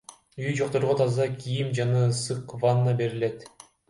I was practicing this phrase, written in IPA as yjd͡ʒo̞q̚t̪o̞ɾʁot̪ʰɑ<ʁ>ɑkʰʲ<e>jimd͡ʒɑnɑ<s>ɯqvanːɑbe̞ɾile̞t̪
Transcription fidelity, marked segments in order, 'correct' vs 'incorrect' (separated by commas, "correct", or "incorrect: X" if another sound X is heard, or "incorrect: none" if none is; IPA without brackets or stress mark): incorrect: z, incorrect: i, correct